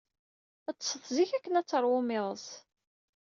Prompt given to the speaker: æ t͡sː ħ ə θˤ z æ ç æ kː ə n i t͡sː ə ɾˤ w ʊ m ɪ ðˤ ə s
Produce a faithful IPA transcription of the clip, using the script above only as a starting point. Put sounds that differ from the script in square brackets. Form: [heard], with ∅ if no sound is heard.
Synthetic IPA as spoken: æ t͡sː [s] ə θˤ z [i] ç æ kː ə n [æ] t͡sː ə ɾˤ w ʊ m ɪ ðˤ ə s